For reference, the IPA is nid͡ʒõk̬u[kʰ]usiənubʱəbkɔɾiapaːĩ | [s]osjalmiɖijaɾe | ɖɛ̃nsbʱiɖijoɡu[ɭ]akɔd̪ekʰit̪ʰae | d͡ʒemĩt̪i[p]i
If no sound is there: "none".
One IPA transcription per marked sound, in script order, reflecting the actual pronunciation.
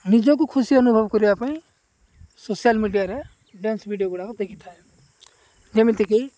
kʰ, s, ɽ, k

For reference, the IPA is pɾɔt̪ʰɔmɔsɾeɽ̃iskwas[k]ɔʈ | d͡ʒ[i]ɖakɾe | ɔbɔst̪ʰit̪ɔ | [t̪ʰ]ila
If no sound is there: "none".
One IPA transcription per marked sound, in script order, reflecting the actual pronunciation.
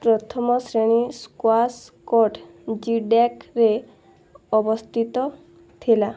k, i, t̪ʰ

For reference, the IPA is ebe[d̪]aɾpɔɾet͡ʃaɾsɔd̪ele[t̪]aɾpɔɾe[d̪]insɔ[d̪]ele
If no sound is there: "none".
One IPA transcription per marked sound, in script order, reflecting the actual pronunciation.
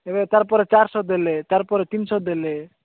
t̪, t̪, t̪, d̪

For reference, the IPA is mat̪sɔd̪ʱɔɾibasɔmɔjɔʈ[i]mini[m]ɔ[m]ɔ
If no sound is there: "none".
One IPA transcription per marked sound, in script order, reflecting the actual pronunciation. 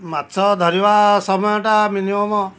a, m, m

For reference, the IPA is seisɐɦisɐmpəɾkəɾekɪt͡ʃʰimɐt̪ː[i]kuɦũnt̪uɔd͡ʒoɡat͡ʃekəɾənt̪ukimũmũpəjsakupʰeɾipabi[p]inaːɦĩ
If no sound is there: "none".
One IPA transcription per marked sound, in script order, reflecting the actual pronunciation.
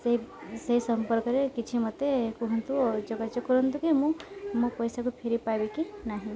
e, k

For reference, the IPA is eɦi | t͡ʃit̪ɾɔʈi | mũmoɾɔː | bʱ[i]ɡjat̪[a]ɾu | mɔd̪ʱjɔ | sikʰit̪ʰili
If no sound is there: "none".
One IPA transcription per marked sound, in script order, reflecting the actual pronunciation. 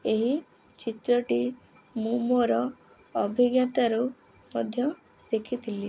i, a

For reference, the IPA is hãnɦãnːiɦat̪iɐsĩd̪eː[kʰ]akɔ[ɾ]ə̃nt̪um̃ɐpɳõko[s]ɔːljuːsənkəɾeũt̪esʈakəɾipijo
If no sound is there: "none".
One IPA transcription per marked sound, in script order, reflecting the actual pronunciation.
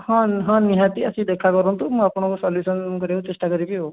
kʰ, ɾ, s

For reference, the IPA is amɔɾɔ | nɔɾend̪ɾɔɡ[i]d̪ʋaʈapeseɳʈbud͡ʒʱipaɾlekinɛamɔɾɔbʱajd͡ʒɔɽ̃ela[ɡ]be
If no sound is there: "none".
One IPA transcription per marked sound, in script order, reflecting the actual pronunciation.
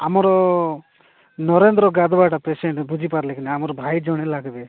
a, ɡ

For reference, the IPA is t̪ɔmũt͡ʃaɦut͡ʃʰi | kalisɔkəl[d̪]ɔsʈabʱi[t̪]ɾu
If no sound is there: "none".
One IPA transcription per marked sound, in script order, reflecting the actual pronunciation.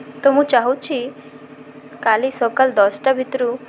d̪, t̪

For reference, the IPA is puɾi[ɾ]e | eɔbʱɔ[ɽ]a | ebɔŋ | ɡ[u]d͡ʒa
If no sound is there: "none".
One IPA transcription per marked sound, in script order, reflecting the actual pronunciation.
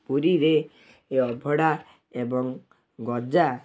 ɾ, ɽ, ɔ

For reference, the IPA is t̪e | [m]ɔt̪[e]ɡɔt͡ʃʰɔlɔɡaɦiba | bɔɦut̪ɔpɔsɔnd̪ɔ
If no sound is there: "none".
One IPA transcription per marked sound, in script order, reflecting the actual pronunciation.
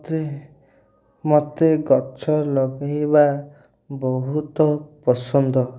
m, e

